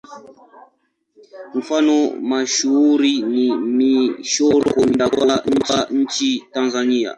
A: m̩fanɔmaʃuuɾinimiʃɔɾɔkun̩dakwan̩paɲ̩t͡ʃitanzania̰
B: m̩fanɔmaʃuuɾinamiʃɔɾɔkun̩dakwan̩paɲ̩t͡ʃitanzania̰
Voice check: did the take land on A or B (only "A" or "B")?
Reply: A